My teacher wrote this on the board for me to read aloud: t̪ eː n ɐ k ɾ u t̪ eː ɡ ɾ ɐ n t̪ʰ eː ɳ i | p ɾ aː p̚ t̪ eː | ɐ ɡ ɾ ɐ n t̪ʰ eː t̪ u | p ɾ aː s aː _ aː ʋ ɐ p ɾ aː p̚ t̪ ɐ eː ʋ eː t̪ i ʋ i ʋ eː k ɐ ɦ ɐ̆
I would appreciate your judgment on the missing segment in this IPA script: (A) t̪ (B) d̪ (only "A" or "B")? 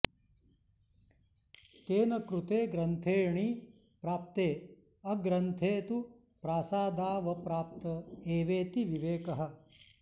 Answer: B